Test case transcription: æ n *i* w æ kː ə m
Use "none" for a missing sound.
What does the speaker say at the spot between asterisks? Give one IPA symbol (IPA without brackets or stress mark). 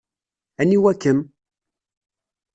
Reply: i